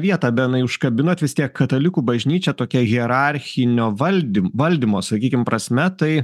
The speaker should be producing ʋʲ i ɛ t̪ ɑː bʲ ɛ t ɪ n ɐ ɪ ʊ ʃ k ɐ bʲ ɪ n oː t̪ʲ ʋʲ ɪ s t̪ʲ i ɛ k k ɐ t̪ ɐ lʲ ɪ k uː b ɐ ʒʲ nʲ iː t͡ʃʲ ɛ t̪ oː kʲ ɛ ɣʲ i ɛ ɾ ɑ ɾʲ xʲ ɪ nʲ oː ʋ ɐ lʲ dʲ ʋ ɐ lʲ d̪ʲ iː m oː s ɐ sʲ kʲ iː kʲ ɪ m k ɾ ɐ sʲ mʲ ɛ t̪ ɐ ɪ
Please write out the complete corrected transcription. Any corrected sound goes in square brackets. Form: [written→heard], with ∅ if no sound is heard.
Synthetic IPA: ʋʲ i ɛ t̪ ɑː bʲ ɛ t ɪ n ɐ ɪ ʊ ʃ k ɐ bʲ ɪ n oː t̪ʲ ʋʲ ɪ s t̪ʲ i ɛ k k ɐ t̪ ɐ lʲ ɪ k uː b ɐ ʒʲ nʲ iː t͡ʃʲ ɛ t̪ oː kʲ ɛ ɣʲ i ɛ ɾ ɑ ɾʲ xʲ ɪ nʲ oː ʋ ɐ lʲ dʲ ʋ ɐ lʲ d̪ʲ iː m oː s ɐ [sʲ→∅] kʲ iː kʲ ɪ m [k→p] ɾ ɐ sʲ mʲ ɛ t̪ ɐ ɪ